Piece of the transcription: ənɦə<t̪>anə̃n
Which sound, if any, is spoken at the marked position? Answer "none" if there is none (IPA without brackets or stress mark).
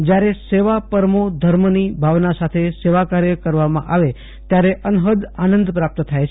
d̪